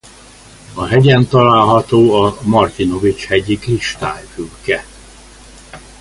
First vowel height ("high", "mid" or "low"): low